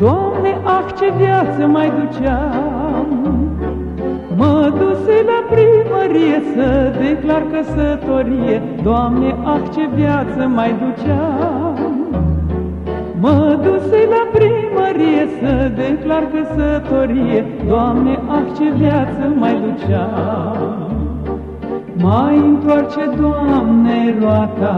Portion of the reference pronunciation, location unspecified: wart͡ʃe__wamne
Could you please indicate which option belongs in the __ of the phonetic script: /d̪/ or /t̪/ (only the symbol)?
d̪